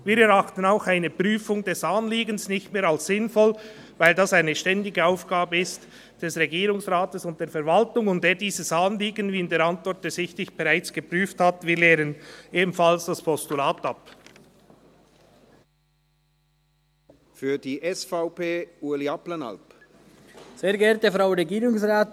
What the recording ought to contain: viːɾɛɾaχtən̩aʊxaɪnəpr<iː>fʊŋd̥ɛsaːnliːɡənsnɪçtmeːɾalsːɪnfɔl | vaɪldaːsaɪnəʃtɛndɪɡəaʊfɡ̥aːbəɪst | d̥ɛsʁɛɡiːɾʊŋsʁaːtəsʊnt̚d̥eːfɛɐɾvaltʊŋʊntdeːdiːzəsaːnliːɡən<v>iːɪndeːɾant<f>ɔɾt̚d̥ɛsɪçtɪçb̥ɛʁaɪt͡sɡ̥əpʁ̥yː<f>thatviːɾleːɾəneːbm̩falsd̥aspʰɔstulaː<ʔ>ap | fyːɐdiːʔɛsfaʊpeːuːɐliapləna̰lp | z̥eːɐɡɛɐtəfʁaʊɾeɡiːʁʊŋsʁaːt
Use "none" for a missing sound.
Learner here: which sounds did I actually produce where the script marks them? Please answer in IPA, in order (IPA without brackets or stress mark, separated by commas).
yː, v, v, f, t